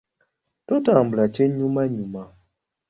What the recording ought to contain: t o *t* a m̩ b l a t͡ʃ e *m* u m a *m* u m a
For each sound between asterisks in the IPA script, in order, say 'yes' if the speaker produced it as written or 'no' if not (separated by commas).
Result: yes, no, no